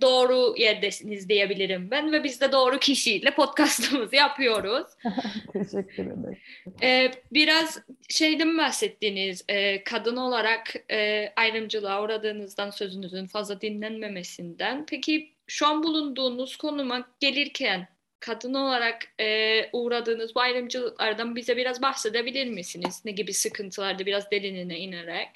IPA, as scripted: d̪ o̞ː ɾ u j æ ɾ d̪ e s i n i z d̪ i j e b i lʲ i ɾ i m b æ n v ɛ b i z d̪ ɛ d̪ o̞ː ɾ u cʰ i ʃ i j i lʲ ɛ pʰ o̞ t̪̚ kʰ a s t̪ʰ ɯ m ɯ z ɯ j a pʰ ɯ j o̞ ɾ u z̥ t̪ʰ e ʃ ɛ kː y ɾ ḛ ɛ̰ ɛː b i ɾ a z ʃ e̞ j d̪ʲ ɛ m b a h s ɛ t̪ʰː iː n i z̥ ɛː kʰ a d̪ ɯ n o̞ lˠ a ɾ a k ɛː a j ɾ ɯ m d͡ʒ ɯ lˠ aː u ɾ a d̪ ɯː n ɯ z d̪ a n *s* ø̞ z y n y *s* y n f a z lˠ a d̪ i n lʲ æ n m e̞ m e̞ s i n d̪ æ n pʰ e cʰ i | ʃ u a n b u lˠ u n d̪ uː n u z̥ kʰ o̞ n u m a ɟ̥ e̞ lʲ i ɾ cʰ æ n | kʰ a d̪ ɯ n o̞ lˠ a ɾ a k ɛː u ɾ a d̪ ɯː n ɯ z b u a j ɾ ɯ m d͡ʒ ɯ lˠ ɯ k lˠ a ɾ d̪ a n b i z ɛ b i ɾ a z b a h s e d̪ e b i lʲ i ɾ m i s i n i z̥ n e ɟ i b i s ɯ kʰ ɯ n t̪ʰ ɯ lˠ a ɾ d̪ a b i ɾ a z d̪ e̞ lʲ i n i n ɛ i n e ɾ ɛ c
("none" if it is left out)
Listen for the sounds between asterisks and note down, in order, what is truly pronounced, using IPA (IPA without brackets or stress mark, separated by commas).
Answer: s, z